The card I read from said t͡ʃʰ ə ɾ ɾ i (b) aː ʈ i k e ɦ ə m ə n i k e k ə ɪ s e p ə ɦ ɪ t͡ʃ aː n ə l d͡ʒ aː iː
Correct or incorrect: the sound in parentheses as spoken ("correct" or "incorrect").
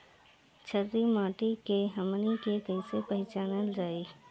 incorrect